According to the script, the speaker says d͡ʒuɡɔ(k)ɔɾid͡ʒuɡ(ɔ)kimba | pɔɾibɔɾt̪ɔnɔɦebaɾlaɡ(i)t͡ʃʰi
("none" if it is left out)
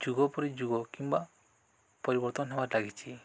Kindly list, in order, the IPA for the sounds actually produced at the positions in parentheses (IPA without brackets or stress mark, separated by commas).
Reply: p, ɔ, i